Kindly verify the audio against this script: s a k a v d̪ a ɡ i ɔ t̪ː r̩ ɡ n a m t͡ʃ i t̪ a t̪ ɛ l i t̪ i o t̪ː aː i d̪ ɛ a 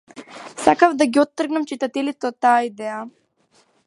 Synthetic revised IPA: s a k a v d̪ a ɡ i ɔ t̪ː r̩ ɡ n a m t͡ʃ i t̪ a t̪ ɛ l i t̪ ɛ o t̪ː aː i d̪ ɛ a